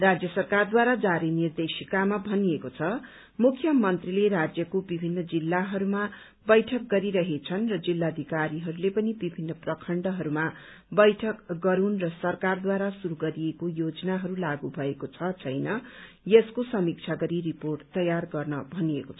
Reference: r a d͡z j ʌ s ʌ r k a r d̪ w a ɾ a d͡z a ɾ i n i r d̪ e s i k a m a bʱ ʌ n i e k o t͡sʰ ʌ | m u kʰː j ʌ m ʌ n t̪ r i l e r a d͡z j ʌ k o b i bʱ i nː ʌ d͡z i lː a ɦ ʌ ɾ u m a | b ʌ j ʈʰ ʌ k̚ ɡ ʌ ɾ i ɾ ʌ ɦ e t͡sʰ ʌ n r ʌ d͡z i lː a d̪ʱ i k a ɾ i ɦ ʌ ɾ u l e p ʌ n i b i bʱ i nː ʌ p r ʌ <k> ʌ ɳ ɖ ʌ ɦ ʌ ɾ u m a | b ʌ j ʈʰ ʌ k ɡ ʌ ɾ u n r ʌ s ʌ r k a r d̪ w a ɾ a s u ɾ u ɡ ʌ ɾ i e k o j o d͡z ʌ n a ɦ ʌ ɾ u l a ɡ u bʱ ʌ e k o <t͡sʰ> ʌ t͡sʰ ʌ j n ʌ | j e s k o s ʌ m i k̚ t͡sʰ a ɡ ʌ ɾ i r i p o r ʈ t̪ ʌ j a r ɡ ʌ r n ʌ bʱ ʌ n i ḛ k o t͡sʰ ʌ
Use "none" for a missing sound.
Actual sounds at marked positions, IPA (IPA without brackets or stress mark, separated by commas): kʰ, t͡sʰ